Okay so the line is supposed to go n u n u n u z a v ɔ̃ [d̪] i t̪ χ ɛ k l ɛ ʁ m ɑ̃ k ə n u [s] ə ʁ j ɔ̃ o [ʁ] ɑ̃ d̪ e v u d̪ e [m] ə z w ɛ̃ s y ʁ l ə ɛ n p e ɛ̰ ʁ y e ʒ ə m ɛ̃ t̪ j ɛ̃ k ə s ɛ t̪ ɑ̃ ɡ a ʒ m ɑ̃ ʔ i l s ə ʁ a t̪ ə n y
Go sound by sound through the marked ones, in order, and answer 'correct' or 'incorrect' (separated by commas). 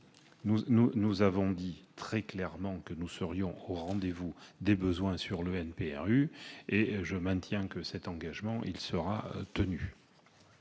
correct, correct, correct, incorrect